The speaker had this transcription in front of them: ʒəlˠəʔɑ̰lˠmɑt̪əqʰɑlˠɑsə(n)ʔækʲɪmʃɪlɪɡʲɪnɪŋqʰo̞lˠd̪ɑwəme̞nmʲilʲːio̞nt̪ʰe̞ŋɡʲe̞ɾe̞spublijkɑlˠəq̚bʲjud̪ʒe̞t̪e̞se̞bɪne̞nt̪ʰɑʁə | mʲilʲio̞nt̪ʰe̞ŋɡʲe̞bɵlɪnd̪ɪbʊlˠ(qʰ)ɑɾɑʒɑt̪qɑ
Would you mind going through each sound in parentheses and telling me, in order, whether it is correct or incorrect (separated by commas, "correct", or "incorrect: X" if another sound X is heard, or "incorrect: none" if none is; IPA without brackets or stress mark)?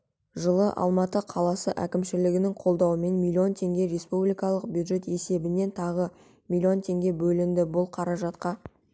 incorrect: none, correct